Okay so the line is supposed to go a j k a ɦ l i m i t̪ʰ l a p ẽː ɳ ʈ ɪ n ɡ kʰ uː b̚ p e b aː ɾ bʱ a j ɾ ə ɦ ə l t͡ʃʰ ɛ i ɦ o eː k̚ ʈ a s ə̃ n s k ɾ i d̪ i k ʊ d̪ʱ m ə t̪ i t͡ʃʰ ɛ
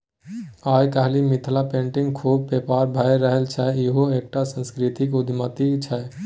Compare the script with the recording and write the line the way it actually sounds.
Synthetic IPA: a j k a ɦ l i m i t̪ʰ l a p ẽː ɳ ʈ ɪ ŋ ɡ kʰ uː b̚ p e p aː ɾ bʱ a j ɾ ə ɦ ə l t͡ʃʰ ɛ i ɦ o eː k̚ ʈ a s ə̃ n s k ɾ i t̪ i k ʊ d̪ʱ m ə t̪ i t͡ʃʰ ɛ

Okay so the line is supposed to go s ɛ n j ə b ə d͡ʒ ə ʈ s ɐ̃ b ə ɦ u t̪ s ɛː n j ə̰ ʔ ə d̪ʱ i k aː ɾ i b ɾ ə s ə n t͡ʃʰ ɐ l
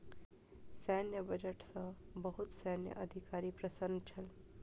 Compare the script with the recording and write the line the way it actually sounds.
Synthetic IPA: s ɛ n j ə b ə d͡ʒ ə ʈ s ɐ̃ b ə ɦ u t̪ s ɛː n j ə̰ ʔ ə d̪ʱ i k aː ɾ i p ɾ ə s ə n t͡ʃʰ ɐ l

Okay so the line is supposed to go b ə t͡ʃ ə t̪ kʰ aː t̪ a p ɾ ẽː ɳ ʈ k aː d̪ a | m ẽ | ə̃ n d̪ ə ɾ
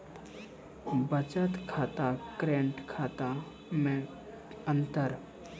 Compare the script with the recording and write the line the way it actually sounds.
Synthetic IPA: b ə t͡ʃ ə t̪ kʰ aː t̪ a k ɾ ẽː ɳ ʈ kʰ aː t̪ a | m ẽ | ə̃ n t̪ ə ɾ

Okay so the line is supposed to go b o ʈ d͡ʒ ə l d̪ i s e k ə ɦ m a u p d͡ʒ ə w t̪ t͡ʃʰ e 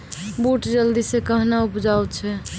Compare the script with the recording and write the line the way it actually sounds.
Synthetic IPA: b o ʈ d͡ʒ ə l d̪ i s e k ə ɦ n a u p d͡ʒ a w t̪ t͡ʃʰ ɛ

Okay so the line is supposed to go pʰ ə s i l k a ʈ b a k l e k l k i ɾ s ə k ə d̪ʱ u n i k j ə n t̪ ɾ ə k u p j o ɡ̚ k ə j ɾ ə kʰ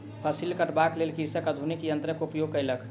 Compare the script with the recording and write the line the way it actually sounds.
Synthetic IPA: pʰ ə s i l k ə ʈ b a k l e l k i ɾ s ə k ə d̪ʱ u n i k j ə n t̪ ɾ ə k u p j o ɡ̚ k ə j l ə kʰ

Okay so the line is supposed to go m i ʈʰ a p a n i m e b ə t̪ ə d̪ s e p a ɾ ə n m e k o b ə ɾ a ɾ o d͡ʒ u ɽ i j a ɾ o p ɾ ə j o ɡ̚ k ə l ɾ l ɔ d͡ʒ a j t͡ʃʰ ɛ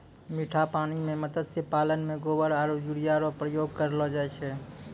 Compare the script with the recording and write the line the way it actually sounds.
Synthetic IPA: m i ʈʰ a p a n i m e m ə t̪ ə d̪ s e p a l ə n m e ɡ o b ə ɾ a ɾ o d͡ʒ u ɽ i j a ɾ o p ɾ ə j o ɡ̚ k ə ɾ l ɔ d͡ʒ a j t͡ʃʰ ɛ

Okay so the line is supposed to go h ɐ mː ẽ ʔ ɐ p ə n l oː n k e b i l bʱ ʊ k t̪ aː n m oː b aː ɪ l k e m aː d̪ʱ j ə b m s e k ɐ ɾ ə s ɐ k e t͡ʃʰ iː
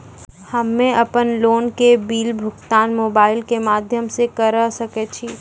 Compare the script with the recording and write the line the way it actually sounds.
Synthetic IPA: h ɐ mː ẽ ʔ ɐ p ə n l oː n k e b iː l bʱ ʊ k t̪ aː n m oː b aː ɪ l k e m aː d̪ʱ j ə m s e k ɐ ɾ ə s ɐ k e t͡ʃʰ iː

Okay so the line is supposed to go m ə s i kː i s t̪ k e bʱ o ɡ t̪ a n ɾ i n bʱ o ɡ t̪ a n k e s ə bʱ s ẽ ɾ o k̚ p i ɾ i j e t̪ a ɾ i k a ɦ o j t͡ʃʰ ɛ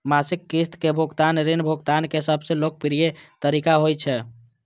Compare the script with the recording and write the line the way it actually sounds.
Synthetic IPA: m a s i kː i s t̪ k e bʱ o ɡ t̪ a n ɾ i n bʱ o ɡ t̪ a n k e s ə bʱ s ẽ l o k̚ p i ɾ i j e t̪ ə ɾ i k a ɦ o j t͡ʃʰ ɛ

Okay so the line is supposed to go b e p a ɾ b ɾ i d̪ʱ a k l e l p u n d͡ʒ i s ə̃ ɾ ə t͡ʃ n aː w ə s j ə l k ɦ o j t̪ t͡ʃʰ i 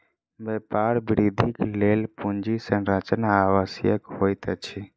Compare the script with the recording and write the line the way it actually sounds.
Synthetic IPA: b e p a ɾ b ɾ i d̪ʱ i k l e l p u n d͡ʒ i s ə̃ ɾ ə t͡ʃ n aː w ə s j ə k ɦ o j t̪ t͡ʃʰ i

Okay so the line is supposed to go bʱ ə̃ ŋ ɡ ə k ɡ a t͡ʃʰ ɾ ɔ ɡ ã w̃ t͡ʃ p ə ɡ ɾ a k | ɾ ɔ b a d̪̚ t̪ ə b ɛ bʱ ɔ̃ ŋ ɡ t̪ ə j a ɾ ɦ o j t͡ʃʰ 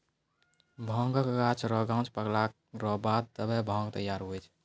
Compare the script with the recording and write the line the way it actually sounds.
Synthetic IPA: bʱ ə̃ ŋ ɡ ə k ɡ a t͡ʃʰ ɾ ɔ ɡ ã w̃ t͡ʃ p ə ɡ l a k | ɾ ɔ b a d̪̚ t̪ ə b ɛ bʱ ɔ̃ ŋ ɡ t̪ ə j a ɾ ɦ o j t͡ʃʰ

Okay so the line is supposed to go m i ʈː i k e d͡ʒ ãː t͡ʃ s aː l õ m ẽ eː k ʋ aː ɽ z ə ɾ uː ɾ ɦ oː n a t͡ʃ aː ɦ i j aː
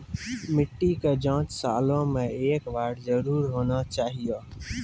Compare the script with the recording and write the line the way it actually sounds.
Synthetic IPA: m ɪ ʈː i k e d͡ʒ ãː t͡ʃ s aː l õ m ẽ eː k ʋ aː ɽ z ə ɾ uː ɾ ɦ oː n a t͡ʃ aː ɦ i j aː

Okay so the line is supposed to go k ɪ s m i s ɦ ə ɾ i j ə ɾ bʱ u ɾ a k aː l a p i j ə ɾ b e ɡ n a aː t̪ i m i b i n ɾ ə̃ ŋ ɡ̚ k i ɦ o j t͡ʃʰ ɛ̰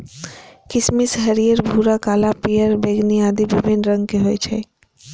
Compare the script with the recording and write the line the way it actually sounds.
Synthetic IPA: k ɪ s m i s ɦ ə ɾ i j ə ɾ bʱ u ɾ a k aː l a p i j ə ɾ b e ɡ n i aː d̪ i b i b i n ɾ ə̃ ŋ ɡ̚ k e ɦ o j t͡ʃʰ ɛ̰

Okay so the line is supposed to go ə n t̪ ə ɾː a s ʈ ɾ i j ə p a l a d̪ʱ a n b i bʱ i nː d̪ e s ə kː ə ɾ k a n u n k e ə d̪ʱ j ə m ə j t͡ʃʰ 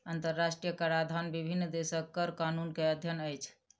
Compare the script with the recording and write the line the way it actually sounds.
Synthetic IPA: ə n t̪ ə ɾː a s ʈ ɾ i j ə k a ɾ a d̪ʱ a n b i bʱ i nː d̪ e s ə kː ə ɾ k a n u n k e ə d̪ʱ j ə n ə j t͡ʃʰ

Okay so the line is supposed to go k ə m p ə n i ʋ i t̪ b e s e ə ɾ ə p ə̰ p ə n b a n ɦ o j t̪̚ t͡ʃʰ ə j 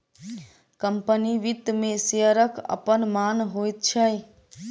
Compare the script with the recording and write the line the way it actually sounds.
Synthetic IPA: k ə m p ə n i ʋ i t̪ m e s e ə ɾ ə k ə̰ p ə n m a n ɦ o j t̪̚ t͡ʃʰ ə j

